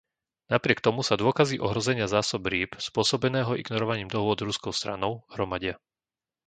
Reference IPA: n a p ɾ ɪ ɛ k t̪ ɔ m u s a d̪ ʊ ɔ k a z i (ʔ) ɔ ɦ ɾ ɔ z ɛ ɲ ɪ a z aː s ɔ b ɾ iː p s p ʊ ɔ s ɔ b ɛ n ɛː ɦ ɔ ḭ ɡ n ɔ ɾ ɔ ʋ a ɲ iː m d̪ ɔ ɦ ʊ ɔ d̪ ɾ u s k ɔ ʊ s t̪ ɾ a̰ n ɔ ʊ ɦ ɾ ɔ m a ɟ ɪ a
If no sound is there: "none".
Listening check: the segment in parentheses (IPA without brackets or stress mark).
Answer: ʔ